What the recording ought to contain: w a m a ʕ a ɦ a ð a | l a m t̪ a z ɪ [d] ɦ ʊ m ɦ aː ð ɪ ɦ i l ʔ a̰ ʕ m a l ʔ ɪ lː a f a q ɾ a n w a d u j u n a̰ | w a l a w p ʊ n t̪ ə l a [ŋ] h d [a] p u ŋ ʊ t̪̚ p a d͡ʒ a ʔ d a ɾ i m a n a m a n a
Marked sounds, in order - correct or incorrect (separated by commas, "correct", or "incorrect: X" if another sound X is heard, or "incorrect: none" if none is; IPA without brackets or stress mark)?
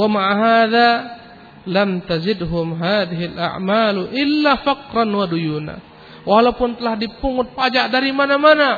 correct, incorrect: none, incorrect: i